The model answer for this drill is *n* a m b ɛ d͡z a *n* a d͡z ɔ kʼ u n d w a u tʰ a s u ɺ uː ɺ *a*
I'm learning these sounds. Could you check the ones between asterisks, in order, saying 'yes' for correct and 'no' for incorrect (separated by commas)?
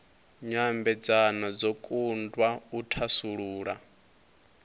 no, yes, yes